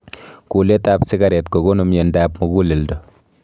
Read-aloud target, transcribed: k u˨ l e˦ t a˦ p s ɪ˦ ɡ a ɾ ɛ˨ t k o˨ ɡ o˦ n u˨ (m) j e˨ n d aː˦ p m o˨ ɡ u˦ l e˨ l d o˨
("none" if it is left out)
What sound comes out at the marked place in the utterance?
m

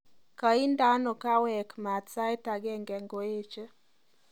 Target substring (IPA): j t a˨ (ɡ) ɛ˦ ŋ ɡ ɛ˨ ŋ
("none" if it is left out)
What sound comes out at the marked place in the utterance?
ɡ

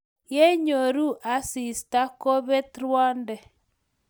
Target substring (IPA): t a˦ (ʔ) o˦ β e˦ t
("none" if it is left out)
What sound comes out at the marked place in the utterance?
k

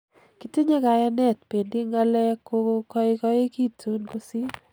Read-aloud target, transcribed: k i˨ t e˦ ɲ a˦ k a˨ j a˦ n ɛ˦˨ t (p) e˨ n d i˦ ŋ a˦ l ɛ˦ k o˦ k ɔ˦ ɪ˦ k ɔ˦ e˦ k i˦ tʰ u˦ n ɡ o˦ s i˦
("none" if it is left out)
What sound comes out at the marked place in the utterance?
p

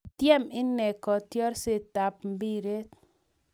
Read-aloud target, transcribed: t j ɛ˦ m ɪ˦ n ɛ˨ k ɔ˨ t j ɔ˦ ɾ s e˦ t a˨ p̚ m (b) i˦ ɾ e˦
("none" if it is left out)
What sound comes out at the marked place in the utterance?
b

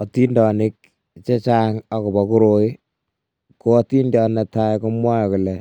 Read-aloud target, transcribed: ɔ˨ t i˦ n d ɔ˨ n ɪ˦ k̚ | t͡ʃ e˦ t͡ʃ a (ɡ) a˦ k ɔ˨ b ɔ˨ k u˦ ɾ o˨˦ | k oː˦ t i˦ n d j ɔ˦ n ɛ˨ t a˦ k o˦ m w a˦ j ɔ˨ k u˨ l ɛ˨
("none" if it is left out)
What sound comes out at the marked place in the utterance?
ŋ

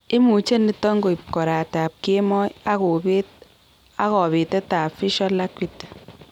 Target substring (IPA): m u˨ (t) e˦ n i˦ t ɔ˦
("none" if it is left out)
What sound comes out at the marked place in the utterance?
t͡ʃ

